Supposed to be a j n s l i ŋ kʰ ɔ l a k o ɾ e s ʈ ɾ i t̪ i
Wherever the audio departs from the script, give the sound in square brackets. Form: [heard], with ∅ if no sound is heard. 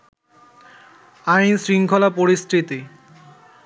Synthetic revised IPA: a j n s [ɾ] i ŋ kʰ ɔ l a [p] o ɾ [i] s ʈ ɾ i t̪ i